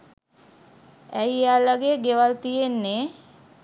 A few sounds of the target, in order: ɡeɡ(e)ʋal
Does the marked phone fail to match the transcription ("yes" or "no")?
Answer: no